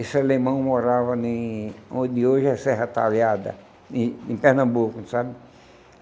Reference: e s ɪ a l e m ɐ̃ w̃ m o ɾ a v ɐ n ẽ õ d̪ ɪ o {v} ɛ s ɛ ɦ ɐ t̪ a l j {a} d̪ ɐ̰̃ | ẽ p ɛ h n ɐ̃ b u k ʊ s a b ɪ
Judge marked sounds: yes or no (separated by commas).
no, yes